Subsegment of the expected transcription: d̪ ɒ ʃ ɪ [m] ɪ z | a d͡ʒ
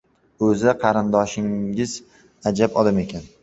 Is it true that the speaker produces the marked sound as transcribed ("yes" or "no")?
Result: no